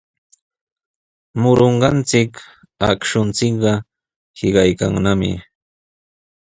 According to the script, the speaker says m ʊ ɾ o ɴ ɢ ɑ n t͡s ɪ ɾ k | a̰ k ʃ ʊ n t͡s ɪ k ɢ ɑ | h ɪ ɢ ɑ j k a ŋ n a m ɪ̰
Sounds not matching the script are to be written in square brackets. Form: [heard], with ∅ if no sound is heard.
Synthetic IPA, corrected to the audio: m ʊ ɾ o ɴ ɢ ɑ n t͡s ɪ [∅] k | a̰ k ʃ ʊ n t͡s ɪ k ɢ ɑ | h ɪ ɢ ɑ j k a ŋ n a m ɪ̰